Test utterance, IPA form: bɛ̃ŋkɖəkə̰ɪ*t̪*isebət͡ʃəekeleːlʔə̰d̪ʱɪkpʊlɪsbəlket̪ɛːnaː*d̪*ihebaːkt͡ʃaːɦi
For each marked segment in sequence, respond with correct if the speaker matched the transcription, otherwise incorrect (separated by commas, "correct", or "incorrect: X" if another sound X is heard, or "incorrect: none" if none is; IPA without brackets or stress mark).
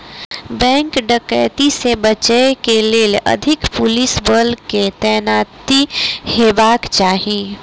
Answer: correct, incorrect: t̪